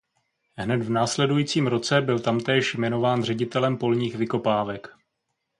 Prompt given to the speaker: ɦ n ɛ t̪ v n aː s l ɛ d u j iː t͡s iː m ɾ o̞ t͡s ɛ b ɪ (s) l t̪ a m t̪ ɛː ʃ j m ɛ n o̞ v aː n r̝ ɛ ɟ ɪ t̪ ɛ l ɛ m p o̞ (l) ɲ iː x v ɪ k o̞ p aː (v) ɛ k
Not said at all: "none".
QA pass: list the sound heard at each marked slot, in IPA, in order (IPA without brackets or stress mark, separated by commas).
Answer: none, l, v